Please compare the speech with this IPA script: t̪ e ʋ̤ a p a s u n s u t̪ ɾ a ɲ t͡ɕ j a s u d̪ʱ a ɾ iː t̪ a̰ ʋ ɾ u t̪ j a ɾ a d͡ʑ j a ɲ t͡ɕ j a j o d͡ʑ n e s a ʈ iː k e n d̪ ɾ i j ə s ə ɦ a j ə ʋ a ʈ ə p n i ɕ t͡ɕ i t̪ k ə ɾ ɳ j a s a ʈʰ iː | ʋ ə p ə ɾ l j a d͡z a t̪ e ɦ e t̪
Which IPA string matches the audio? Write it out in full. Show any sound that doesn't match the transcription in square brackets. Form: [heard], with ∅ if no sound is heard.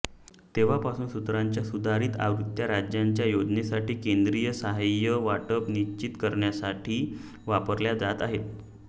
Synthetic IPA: t̪ e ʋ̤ a p a s [uː] n s u t̪ ɾ a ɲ t͡ɕ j a s u d̪ʱ a ɾ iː t̪ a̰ ʋ ɾ u t̪ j a ɾ a d͡ʑ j a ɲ t͡ɕ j a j o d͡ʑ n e s a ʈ iː k e n d̪ ɾ i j ə s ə ɦ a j ə ʋ a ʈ ə p n i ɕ t͡ɕ i t̪ k ə ɾ ɳ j a s a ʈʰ iː | ʋ [a] p ə ɾ l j a d͡z a t̪ [a] ɦ e t̪